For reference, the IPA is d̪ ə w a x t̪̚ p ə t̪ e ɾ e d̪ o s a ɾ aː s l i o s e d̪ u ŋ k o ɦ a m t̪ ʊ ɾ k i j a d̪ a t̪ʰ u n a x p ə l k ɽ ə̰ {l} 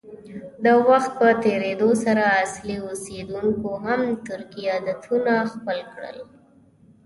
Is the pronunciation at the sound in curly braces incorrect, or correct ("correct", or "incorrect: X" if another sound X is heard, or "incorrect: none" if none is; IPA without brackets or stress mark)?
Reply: correct